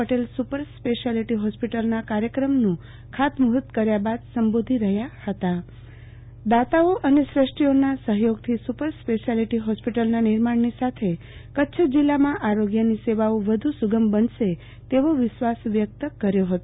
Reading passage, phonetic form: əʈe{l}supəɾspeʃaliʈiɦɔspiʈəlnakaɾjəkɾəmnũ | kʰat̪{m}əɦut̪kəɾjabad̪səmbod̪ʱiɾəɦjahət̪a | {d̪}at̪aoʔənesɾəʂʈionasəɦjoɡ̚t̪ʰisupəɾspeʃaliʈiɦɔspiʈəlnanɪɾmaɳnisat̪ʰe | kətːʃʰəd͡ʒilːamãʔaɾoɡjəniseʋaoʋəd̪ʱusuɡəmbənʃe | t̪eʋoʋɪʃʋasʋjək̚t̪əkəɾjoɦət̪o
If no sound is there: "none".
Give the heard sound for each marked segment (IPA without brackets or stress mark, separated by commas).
l, m, d̪